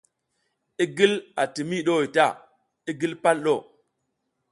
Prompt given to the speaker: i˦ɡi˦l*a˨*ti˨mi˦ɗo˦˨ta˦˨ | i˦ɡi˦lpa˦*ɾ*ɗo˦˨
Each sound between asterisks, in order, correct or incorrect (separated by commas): correct, incorrect